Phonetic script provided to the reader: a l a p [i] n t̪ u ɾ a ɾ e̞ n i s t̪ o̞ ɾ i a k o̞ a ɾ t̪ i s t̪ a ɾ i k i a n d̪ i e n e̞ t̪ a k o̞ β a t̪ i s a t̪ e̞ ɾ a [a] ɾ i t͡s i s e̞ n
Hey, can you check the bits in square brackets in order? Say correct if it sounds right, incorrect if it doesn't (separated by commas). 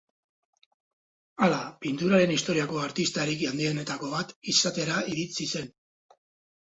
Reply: correct, incorrect